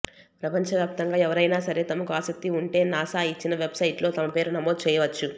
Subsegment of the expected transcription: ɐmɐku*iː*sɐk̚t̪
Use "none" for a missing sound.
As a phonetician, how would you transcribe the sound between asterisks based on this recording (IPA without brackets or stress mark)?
aː